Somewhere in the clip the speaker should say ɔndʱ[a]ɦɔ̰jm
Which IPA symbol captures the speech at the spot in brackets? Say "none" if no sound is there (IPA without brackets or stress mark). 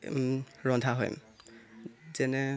a